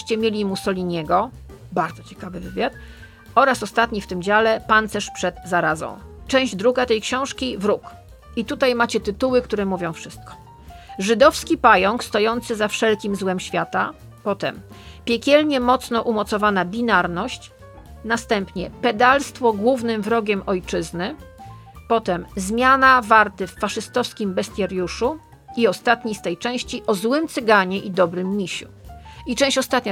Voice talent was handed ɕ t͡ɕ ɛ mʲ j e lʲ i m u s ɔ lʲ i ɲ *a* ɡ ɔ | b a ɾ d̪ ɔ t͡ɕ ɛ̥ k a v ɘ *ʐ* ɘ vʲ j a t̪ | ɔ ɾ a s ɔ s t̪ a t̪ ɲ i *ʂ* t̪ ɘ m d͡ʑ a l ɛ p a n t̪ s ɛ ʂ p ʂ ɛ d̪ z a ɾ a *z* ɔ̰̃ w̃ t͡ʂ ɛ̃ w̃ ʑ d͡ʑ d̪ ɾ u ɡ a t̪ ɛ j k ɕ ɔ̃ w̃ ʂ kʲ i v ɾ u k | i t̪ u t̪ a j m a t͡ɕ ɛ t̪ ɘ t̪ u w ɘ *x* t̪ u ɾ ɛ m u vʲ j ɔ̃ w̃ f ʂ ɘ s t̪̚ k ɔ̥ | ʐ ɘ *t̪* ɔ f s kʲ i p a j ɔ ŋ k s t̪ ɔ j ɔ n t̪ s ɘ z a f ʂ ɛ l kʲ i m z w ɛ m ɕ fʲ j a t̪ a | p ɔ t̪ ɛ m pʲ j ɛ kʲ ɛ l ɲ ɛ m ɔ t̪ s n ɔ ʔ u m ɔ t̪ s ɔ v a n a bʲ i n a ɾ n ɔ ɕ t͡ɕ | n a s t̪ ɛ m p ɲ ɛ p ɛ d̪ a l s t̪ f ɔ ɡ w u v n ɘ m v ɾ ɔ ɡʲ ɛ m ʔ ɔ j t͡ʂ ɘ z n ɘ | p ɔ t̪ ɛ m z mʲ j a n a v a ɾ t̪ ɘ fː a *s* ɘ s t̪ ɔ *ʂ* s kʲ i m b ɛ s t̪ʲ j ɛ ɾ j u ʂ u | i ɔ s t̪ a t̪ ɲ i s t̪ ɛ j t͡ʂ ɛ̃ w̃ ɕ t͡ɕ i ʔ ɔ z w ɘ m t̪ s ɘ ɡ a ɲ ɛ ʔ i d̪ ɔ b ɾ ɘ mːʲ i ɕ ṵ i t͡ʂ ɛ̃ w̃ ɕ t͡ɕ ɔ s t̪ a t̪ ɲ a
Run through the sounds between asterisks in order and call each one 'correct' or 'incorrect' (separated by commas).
incorrect, incorrect, incorrect, correct, incorrect, incorrect, incorrect, incorrect